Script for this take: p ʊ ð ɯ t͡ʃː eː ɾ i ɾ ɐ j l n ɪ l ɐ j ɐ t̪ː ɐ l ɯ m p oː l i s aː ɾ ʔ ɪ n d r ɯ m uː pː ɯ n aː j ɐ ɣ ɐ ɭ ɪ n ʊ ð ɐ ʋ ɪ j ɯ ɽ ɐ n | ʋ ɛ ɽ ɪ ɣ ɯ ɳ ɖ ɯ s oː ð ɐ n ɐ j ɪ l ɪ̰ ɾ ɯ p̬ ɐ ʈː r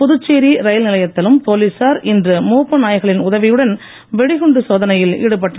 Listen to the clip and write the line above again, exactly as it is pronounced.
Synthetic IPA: p ʊ ð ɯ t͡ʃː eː ɾ i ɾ ɐ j l n ɪ l ɐ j ɐ t̪ː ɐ l ɯ m p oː l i s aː ɾ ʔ ɪ n d r ɯ m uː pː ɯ n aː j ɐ ɣ ɐ ɭ ɪ n ʊ ð ɐ ʋ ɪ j ɯ ɽ ɐ n | ʋ ɛ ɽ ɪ ɣ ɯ ɳ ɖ ɯ s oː ð ɐ n ɐ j ɪ l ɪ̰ ɽ ɯ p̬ ɐ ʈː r

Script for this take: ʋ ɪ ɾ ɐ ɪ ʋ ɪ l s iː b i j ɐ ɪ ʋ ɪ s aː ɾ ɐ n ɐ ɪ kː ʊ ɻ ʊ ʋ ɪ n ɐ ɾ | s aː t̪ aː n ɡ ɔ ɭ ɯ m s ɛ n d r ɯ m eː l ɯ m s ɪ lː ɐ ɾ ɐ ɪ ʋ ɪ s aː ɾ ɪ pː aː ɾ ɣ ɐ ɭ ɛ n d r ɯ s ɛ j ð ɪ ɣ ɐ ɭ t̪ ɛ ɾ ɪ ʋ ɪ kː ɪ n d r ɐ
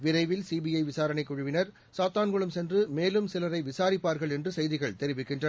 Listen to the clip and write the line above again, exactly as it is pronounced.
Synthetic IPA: ʋ ɪ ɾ ɐ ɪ ʋ ɪ l s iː b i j ɐ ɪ ʋ ɪ s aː ɾ ɐ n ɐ ɪ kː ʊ ɻ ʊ ʋ ɪ n ɐ ɾ | s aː t̪ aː n ɡ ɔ ɭ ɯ m s ɛ n d r ɯ m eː l ɯ m s ɪ l ɐ ɾ ɐ ɪ ʋ ɪ s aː ɾ ɪ pː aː ɾ ɣ ɐ ɭ ɛ n d r ɯ s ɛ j ð ɪ ɣ ɐ ɭ t̪ ɛ ɾ ɪ ʋ ɪ kː ɪ n d r ɐ

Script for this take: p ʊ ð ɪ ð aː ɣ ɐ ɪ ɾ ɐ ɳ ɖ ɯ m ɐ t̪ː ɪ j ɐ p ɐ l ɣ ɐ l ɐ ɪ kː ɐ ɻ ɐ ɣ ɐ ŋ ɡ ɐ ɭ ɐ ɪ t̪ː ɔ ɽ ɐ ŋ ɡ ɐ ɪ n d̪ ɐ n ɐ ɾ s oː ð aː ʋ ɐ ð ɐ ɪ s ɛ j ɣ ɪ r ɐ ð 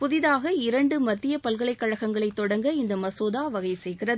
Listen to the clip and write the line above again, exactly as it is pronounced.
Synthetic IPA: p ʊ ð ɪ ð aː ɣ ɐ ɪ ɾ ɐ ɳ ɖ ɯ m ɐ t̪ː ɪ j ɐ p ɐ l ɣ ɐ ɭ ɐ ɪ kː ɐ ɻ ɐ ɣ ɐ ŋ ɡ ɐ ɭ ɐ ɪ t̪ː ɔ ɽ ɐ ŋ ɡ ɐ ɪ n d̪ ɐ m ɐ s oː ð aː ʋ ɐ ɣ ɐ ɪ s ɛ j ɣ ɪ r ɐ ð

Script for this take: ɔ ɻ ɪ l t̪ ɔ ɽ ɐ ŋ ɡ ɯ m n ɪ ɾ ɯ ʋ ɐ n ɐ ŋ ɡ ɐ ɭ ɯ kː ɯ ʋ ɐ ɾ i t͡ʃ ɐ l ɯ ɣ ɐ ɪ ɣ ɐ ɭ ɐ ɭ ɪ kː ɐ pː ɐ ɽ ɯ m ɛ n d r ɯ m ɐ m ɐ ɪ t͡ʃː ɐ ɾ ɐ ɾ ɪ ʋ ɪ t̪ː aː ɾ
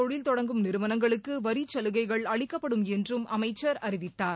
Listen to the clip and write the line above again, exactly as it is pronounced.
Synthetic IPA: ɔ ɻ ɪ l t̪ ɔ ɽ ɐ ŋ ɡ ɯ m n ɪ ɾ ɯ ʋ ɐ n ɐ ŋ ɡ ɐ ɭ ɯ kː ɯ ʋ ɐ ɾ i t͡ʃ ɐ l ɯ ɣ ɐ ɪ ɣ ɐ ɭ ɐ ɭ ɪ kː ɐ pː ɐ ɽ ɯ m ɛ n d r ɯ m ɐ m ɐ ɪ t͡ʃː ɐ ɾ ɐ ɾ ɪ ʋ ɪ t̪ː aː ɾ

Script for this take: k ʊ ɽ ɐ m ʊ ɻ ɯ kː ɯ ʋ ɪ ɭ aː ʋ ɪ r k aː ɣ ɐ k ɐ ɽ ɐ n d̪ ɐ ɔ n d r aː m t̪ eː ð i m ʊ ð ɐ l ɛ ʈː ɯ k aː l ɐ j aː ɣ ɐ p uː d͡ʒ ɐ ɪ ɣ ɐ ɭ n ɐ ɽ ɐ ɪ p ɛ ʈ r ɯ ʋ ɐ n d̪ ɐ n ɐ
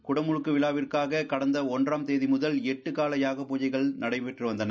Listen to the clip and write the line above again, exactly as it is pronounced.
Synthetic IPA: k ʊ ɽ ɐ m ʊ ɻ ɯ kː ɯ ʋ ɪ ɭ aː ʋ ɪ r k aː ɣ ɐ k ɐ ɽ ɐ n d̪ ɐ ɔ n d r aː m t̪ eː ð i m ʊ ð ɐ l ɛ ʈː ɯ k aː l ɐ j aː ɣ ɐ p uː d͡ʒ ɐ ɪ ɣ ɐ ɭ n ɐ ɽ ɐ ɪ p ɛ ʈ r ɯ ʋ ɐ n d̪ ɐ n ɐ

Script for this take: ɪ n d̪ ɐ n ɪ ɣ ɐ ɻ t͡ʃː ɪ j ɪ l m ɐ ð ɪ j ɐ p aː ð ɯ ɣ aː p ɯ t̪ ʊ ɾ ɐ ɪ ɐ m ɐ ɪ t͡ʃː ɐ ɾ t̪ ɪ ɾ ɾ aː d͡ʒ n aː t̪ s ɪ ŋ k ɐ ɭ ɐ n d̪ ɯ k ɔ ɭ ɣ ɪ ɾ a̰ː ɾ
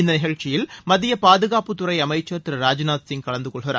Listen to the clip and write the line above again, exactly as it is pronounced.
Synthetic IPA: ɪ n d̪ ɐ n ɪ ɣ ɐ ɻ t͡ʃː ɪ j ɪ l m ɐ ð ɪ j ɐ p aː ð ɯ ɣ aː p ɯ t̪ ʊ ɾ ɐ ɪ ɐ m ɐ ɪ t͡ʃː ɐ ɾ t̪ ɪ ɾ ɾ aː d͡ʒ n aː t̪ s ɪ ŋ k ɐ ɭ ɐ n d̪ ɯ k ɔ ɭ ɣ ɪ ɾ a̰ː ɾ

